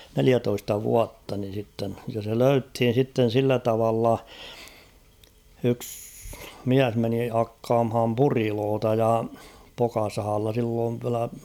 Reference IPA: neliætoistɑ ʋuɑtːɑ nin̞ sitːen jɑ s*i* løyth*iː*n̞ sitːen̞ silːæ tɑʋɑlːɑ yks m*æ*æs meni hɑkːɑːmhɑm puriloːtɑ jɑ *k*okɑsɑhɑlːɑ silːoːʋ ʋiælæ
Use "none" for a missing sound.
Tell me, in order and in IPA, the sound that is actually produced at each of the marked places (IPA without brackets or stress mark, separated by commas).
e, i, i, p